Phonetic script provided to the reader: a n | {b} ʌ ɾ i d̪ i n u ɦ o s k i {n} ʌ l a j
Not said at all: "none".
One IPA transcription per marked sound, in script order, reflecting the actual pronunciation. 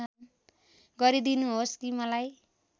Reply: ɡ, m

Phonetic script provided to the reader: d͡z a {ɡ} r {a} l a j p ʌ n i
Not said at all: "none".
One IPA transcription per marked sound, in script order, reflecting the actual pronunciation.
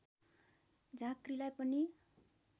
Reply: k, i

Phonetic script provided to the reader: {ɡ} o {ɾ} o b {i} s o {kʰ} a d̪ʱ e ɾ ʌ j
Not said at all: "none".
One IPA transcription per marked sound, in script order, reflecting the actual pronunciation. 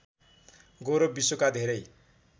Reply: ɡ, ɾ, i, k

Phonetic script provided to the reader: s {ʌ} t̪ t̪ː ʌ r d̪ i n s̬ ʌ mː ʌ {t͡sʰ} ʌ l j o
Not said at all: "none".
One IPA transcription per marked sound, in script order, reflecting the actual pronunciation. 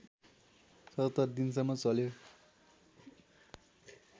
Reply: ʌ, t͡s

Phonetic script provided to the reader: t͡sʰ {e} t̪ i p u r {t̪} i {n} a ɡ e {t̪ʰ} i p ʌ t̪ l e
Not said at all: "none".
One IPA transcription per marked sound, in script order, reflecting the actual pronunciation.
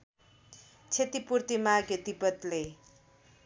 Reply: e, t̪, m, t̪

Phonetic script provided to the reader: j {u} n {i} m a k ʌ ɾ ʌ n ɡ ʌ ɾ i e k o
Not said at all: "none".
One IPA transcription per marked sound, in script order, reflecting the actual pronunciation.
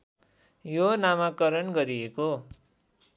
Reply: o, a

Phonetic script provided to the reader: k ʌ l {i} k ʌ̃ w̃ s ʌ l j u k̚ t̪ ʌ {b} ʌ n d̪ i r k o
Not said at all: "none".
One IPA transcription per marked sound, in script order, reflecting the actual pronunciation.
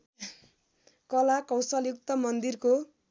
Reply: a, m

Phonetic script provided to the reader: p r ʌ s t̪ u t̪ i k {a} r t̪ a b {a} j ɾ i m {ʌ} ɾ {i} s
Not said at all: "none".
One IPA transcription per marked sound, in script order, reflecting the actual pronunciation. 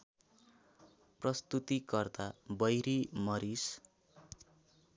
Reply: ʌ, ʌ, ʌ, i

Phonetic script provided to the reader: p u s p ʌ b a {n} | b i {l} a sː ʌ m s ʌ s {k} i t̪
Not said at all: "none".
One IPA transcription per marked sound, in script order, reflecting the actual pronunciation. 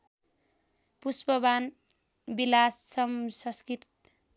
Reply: n, l, k

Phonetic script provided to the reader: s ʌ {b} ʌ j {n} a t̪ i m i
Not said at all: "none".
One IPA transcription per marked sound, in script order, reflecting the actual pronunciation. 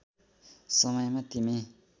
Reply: m, m

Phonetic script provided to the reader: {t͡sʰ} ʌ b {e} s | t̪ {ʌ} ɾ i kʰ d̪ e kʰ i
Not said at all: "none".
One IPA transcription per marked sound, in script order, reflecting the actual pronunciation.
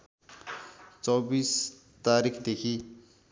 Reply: t͡s, i, a

